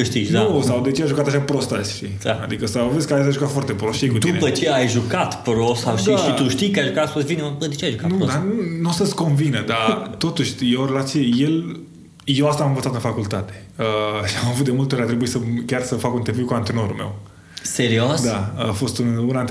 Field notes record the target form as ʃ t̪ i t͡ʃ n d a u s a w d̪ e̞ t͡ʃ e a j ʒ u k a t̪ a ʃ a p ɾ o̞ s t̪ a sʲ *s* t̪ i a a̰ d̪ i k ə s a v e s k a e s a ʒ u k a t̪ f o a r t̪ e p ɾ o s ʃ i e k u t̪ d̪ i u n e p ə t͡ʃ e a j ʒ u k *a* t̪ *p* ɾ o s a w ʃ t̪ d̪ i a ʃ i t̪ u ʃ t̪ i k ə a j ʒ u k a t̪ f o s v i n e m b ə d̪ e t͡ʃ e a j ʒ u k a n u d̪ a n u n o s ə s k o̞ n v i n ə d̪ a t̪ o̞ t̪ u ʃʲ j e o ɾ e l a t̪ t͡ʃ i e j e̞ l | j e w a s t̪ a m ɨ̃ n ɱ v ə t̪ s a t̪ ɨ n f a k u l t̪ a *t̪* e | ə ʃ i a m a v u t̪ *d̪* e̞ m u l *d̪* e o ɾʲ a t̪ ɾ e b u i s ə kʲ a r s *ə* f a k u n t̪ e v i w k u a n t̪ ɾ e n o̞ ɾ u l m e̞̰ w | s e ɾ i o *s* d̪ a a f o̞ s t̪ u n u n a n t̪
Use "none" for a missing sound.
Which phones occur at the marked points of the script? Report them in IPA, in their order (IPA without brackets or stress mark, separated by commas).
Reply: ʃ, a, p, t̪, d̪, t̪, ə, s